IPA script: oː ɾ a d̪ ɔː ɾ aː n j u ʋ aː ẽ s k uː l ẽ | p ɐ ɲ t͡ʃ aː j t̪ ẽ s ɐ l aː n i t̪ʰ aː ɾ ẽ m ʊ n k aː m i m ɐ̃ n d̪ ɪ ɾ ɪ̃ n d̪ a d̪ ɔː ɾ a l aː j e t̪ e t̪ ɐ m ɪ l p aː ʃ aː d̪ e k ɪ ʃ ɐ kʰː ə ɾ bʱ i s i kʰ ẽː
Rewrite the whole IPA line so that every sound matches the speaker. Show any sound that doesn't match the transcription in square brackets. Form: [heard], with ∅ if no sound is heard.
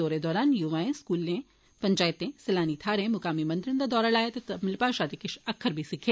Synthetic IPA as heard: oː ɾ [e] d̪ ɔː ɾ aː n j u ʋ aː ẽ s k uː l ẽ | p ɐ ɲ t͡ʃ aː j t̪ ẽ s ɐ l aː n i t̪ʰ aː ɾ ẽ m ʊ [∅] k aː m i m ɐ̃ n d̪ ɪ ɾ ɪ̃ n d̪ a d̪ ɔː ɾ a l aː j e t̪ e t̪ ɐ m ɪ l p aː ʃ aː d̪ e k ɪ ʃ ɐ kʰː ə ɾ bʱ i s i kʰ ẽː